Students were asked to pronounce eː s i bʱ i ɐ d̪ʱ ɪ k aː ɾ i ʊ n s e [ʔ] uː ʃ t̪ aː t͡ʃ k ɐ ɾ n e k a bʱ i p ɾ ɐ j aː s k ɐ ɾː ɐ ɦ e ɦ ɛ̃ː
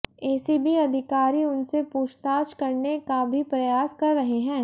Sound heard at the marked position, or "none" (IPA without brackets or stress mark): p